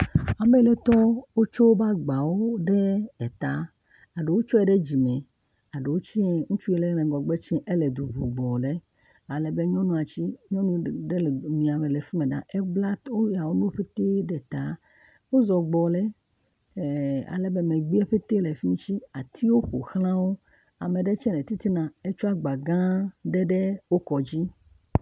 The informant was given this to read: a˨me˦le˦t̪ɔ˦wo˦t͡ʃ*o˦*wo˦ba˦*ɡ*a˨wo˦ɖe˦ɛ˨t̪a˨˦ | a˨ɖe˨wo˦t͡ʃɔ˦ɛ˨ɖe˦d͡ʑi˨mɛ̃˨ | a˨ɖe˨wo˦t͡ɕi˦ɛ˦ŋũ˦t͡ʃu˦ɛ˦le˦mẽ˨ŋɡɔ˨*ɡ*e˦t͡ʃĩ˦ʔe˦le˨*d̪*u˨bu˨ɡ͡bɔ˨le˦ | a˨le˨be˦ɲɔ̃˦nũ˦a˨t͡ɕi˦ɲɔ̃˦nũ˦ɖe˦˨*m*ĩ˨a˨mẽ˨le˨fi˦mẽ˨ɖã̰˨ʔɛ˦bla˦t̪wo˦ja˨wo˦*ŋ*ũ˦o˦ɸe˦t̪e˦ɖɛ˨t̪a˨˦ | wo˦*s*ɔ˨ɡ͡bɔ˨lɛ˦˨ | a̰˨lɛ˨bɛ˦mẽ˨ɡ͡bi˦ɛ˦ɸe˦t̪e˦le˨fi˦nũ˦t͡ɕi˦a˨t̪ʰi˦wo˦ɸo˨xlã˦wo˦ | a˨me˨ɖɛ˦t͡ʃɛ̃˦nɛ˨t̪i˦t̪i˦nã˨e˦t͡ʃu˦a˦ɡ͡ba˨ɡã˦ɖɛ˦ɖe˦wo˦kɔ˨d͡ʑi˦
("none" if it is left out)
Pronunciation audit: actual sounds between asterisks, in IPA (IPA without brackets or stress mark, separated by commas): o˦, ɡ͡b, ɡ͡b, d̪, m, n, z